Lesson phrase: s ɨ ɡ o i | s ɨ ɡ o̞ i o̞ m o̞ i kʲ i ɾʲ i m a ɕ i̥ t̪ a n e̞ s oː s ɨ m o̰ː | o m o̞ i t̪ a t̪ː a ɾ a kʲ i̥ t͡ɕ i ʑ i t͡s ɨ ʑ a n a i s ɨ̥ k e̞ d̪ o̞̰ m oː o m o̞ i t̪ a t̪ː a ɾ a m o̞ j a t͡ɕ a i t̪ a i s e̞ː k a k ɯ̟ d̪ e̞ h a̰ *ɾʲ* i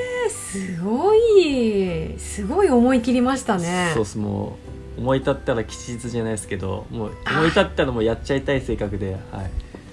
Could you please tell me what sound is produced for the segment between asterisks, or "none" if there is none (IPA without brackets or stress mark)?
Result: none